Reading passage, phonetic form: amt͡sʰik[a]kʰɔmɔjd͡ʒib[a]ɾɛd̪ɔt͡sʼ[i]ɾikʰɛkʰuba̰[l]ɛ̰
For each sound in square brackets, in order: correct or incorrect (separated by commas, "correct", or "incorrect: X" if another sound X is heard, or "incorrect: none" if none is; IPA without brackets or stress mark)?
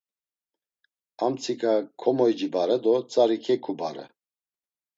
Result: correct, correct, incorrect: a, incorrect: ɾ